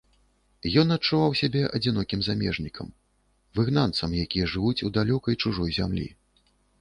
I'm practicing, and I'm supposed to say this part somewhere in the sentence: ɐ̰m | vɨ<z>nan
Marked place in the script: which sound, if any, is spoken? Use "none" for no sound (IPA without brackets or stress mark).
ɣ